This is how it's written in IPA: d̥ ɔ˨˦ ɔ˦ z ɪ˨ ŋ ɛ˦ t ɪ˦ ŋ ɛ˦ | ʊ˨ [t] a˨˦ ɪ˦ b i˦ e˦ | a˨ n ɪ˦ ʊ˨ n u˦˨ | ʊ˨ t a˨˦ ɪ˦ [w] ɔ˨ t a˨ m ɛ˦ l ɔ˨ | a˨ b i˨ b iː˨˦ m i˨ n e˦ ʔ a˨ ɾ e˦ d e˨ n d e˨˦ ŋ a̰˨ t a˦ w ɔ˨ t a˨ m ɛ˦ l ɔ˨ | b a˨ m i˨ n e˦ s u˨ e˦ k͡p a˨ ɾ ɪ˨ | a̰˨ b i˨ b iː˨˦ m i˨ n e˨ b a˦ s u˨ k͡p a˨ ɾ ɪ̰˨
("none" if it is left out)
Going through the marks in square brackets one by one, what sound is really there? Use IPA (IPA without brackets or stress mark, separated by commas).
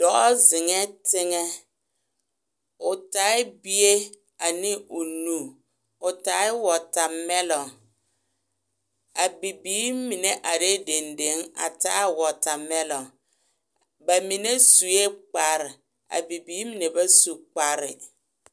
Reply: t, w